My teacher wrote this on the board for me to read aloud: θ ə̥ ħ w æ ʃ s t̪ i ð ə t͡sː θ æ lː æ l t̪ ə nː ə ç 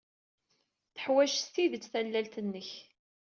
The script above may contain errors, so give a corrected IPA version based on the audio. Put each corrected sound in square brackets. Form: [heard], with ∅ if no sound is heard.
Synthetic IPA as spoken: θ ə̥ ħ w æ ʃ s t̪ i ð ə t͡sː θ æ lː æ l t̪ ə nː ə ç